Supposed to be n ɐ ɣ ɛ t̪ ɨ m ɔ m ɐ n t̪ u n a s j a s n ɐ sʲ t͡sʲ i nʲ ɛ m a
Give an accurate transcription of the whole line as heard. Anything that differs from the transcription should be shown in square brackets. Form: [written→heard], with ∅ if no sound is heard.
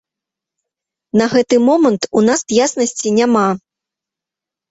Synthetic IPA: n ɐ ɣ ɛ t̪ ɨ m ɔ m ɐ n t̪ u n a s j a s n ɐ sʲ t͡sʲ i nʲ [ɛ→a] m a